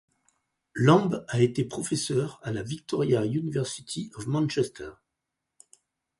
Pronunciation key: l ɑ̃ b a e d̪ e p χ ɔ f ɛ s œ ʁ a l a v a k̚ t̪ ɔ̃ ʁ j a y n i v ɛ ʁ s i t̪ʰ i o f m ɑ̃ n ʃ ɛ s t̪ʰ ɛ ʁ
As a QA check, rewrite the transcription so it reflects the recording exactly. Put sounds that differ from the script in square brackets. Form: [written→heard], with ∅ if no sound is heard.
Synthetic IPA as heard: l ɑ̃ b a e [d̪→t̪] e p χ ɔ f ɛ s œ ʁ a l a v [a→i] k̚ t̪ [ɔ̃→ɔ] ʁ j a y n i v ɛ ʁ s i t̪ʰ i [o→ɔ] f m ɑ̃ n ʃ ɛ s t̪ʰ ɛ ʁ

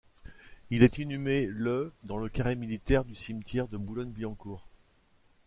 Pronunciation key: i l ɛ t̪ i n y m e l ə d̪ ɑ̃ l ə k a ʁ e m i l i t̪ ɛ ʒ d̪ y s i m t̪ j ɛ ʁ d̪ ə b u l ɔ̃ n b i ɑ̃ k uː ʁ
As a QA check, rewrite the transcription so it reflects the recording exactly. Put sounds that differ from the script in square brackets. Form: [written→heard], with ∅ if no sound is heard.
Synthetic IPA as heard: i l ɛ t̪ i n y m e l ə d̪ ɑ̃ l ə k a ʁ e m i l i t̪ ɛ [ʒ→ʁ] d̪ y s i m t̪ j ɛ ʁ d̪ ə b u l [ɔ̃→ɔ] n b i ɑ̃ k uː ʁ

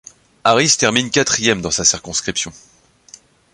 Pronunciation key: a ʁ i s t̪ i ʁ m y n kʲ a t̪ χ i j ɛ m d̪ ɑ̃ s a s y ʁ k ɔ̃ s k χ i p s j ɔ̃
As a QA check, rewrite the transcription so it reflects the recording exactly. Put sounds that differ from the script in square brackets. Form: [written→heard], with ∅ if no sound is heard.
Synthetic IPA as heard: a ʁ i s t̪ [i→ɛ] ʁ m [y→i] n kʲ a t̪ χ i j ɛ m d̪ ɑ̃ s a s [y→i] ʁ k ɔ̃ s k χ i p s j ɔ̃

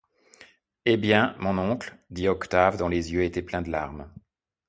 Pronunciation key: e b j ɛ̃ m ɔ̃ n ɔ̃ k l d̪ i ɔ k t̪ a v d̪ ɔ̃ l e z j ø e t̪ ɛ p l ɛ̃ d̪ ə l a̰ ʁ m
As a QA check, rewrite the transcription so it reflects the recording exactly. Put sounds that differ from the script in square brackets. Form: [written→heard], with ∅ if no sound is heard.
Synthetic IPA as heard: e b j ɛ̃ m ɔ̃ n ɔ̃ k l d̪ i ɔ k t̪ a v d̪ ɔ̃ l e z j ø e t̪ ɛ p l ɛ̃ d̪ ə l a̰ ʁ m

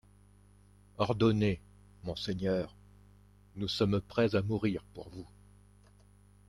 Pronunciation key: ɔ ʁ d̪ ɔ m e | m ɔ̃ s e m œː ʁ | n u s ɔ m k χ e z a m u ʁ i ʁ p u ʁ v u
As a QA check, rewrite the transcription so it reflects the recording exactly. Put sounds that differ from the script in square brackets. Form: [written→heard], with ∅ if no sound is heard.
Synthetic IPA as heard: ɔ ʁ d̪ ɔ [m→n] e | m ɔ̃ s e [m→ɲ] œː ʁ | n u s ɔ m [k→p] χ [e→ɛ] z a m u ʁ i ʁ p u ʁ v u

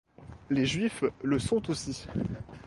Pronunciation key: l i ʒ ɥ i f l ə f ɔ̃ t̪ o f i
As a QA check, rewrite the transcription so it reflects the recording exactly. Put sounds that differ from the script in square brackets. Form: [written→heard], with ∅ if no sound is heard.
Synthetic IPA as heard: l [i→e] ʒ ɥ i f l ə [f→s] ɔ̃ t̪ o [f→s] i

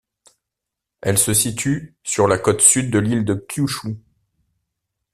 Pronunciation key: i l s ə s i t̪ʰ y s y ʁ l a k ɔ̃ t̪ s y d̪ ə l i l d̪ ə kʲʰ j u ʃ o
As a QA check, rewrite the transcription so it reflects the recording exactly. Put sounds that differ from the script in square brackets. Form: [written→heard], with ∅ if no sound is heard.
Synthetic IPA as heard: [i→ɛ] l s ə s i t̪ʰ y s y ʁ l a k [ɔ̃→ɔ] t̪ s y [d̪→d̪ː] ə l i l d̪ ə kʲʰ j u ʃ [o→u]

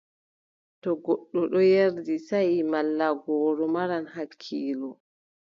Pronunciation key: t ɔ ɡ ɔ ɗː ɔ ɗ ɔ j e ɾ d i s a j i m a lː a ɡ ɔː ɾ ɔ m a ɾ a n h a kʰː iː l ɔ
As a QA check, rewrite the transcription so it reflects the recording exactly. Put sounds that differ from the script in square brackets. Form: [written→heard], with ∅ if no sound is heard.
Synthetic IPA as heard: t ɔ ɡ ɔ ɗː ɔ ɗ ɔ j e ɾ d i s a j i m a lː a ɡ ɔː ɾ ɔ m a ɾ a n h a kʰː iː l ɔ

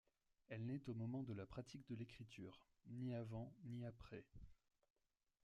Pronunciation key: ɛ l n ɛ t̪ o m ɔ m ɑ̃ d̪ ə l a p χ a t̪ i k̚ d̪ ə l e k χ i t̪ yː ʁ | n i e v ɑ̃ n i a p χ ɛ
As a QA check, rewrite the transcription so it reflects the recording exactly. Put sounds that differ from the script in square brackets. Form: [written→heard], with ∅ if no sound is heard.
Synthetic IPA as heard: ɛ l n ɛ t̪ o m ɔ m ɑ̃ d̪ ə l a p χ a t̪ i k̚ d̪ ə l e k χ i t̪ yː ʁ | n i [e→a] v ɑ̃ n i a p χ ɛ

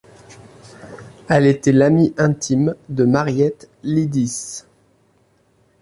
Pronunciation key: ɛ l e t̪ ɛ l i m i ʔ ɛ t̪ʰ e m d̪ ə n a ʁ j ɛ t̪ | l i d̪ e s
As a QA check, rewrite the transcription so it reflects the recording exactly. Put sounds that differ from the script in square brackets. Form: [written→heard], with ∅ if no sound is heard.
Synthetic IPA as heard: ɛ l e t̪ ɛ l [i→a] m i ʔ [ɛ→ɛ̃] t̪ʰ [e→i] m d̪ ə [n→m] a ʁ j ɛ t̪ | l i d̪ [e→i] s

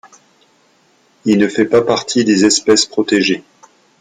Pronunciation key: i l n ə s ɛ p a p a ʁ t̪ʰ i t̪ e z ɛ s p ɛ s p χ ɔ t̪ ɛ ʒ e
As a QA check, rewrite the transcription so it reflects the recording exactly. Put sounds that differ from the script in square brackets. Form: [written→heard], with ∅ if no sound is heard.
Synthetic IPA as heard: i l n ə [s→f] ɛ p a p a ʁ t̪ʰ i [t̪→d̪] e z ɛ s p ɛ s p χ ɔ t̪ [ɛ→e] ʒ e

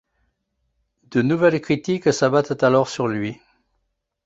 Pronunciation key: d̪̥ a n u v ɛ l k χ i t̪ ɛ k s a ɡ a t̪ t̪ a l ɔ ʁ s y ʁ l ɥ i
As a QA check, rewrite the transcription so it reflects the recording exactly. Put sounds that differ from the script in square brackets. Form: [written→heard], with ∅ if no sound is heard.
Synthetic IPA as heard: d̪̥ [a→ə] n u v ɛ l k χ i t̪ [ɛ→i] k s a [ɡ→b] a t̪ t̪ a l ɔ ʁ s y ʁ l ɥ i

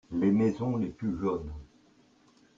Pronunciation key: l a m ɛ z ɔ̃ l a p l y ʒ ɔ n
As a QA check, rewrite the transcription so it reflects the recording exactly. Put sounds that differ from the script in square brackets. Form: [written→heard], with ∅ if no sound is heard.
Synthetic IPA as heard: l [a→e] m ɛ z ɔ̃ l [a→e] p l y ʒ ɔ n

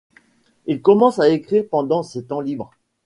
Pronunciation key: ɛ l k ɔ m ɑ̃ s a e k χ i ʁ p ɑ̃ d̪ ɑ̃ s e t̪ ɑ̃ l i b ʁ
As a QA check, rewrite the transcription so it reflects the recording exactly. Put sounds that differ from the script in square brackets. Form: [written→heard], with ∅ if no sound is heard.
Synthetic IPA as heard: [ɛ→i] l k ɔ m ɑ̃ s a e k χ i ʁ p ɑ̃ d̪ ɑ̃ s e t̪ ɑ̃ l i b ʁ

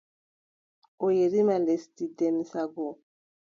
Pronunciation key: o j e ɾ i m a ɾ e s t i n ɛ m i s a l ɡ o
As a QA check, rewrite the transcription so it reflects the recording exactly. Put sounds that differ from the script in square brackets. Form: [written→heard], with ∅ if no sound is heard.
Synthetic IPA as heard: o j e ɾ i m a [ɾ→l] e s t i [n→d] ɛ m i s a [l→∅] ɡ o

